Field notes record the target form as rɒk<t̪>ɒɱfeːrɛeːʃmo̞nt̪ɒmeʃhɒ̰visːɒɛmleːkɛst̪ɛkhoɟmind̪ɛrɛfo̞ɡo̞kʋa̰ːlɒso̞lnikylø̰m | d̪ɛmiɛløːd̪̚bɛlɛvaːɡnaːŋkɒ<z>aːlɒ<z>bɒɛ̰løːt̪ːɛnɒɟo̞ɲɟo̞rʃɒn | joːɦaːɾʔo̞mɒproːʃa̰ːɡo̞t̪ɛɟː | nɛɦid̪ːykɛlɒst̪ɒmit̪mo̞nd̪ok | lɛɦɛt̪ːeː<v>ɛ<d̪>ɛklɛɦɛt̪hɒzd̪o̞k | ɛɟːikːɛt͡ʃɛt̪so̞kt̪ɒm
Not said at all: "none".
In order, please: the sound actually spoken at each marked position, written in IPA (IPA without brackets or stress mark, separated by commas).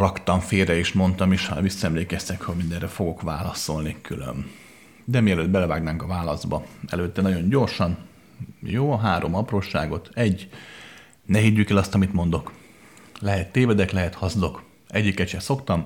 t̪, v, z, v, d̪